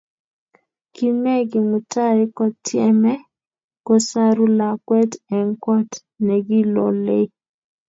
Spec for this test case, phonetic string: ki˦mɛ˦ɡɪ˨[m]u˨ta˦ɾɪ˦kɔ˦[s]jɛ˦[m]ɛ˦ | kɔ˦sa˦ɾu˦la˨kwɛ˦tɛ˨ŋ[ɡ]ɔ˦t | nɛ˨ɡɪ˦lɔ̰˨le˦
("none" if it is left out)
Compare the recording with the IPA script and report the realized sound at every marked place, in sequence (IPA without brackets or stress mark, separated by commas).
m, t, m, k